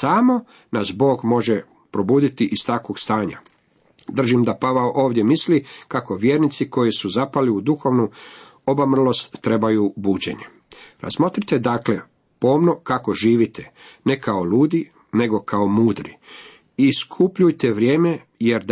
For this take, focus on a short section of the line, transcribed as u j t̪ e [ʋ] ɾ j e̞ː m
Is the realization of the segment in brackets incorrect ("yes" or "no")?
no